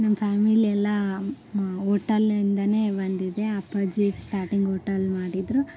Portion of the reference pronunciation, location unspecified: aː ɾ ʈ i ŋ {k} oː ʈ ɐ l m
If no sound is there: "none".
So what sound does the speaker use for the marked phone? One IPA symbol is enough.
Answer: ɡ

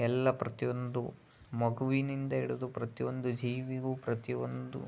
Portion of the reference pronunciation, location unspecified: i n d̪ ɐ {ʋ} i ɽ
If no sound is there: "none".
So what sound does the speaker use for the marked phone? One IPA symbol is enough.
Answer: none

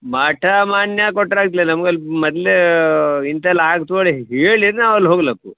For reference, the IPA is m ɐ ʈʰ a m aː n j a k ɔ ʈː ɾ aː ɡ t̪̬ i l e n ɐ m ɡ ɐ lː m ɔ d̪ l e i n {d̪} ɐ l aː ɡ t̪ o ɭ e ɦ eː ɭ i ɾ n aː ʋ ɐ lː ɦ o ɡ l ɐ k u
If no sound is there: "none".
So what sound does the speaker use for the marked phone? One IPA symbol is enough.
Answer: t̪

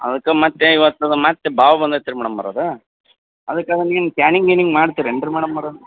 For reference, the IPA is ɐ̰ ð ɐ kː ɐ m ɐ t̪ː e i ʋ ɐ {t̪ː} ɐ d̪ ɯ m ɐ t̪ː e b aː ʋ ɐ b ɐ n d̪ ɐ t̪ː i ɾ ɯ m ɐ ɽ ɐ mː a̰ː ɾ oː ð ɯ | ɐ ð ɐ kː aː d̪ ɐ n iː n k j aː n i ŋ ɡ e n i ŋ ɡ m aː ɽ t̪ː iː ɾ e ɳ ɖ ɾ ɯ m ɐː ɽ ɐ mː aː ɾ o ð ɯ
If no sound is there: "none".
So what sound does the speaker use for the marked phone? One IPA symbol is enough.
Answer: t̪ː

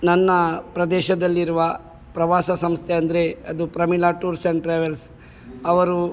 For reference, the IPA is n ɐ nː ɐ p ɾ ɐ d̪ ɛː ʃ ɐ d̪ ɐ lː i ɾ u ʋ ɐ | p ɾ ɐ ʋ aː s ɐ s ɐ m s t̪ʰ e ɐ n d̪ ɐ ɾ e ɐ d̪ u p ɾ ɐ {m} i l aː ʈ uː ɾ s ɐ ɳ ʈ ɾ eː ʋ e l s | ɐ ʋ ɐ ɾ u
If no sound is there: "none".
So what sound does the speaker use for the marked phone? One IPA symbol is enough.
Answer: m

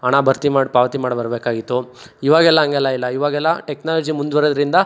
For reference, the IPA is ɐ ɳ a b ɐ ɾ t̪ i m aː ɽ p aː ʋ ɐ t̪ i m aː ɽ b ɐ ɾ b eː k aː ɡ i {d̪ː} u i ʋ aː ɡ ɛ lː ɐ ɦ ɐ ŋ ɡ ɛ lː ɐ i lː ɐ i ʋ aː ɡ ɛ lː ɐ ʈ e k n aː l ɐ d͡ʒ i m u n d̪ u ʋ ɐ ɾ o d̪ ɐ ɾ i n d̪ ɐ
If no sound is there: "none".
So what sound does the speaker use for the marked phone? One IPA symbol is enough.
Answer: t̪ː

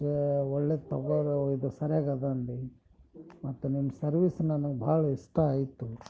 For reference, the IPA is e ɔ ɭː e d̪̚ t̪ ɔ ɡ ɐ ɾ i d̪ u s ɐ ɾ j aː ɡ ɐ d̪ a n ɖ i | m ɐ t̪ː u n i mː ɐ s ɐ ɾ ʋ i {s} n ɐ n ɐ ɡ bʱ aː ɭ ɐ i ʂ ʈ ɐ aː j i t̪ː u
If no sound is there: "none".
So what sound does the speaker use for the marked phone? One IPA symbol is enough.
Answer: s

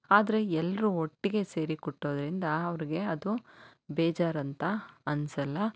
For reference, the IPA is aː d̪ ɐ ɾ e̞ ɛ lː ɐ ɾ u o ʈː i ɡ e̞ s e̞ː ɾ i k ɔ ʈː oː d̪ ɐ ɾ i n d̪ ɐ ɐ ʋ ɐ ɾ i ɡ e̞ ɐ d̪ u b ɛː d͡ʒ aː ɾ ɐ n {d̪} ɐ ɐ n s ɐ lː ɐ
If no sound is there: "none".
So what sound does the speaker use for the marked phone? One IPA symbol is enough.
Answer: t̪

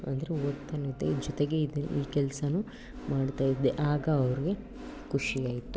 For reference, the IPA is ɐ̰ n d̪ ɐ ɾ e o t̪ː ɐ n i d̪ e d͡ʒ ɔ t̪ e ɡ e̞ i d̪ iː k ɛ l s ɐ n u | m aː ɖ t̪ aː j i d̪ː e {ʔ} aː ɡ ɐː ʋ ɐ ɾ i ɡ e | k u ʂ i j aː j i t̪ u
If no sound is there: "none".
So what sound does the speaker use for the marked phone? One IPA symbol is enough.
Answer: ʔ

